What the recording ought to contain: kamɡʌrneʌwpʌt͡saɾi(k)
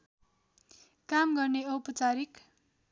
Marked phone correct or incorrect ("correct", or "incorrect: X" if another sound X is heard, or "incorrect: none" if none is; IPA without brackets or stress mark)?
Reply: correct